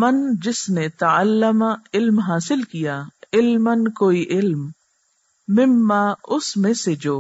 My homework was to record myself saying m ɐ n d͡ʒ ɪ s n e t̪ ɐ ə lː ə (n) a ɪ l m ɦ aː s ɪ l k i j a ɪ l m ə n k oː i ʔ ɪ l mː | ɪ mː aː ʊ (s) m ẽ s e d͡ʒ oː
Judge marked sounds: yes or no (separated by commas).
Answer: no, yes